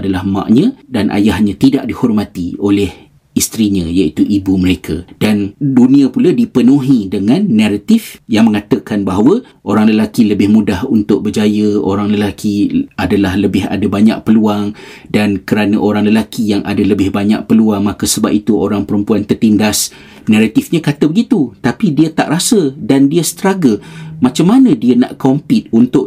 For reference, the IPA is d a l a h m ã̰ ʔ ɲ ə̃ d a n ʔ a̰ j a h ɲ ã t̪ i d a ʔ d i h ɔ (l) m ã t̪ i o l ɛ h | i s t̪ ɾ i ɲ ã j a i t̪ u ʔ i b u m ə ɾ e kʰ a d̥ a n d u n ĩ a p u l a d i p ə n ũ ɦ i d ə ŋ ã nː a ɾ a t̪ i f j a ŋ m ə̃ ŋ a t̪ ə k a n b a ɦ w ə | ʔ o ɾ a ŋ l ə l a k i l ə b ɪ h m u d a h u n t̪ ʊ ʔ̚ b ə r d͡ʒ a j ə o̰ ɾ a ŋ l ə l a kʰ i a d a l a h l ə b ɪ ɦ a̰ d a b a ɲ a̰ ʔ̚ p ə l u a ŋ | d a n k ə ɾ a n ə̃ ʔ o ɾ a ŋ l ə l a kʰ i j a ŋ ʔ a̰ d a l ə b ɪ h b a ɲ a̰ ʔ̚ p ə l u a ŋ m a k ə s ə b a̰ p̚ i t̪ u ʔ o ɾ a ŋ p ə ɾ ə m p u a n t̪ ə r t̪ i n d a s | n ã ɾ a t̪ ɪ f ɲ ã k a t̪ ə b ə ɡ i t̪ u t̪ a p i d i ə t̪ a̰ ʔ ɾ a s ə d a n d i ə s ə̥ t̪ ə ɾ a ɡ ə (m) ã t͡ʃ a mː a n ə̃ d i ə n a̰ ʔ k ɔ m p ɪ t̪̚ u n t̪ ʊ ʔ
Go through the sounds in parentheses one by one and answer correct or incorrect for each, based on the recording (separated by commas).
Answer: incorrect, correct